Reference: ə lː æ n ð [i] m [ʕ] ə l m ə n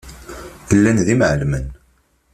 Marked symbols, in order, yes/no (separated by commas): yes, yes